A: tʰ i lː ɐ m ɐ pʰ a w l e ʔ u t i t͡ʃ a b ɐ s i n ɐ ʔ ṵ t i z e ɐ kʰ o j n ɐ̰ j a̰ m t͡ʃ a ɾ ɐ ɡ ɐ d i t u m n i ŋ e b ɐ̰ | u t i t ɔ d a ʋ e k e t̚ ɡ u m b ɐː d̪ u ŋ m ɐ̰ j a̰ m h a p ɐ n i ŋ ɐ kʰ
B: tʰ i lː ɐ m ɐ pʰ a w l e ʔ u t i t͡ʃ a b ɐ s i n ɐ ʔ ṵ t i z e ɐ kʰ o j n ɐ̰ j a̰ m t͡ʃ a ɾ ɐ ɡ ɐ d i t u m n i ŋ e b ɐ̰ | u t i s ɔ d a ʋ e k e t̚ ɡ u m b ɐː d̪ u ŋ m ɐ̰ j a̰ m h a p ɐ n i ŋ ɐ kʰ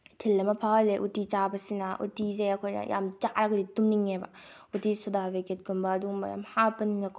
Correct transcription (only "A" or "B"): B